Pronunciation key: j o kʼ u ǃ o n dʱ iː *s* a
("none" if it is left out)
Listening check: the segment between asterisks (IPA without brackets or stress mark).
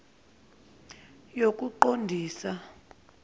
s